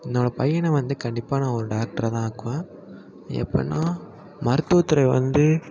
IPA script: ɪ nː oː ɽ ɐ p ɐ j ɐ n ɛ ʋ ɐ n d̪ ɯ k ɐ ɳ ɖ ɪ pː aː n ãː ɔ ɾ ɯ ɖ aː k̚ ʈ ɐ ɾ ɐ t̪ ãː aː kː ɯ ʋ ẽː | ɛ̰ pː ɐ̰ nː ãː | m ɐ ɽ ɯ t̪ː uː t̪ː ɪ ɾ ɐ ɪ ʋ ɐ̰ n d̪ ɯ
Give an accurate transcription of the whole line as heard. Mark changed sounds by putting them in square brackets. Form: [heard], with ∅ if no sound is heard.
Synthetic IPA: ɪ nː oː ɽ ɐ p ɐ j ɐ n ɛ ʋ ɐ n d̪ ɯ k ɐ ɳ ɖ ɪ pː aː n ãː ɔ ɾ ɯ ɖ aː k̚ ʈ ɐ ɾ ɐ t̪ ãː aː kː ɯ ʋ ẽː | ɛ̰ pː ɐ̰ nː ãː | m ɐ [ɾ] ɯ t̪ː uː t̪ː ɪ ɾ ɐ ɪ ʋ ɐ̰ n d̪ ɯ